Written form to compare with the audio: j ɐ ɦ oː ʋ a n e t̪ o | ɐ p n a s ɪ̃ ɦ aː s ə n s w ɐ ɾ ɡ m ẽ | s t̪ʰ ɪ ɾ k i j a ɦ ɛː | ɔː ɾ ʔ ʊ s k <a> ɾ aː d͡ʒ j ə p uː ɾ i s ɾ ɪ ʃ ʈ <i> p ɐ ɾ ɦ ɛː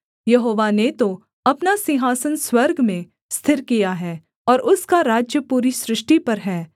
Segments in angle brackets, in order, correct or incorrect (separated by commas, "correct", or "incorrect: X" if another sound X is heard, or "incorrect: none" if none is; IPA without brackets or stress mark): correct, correct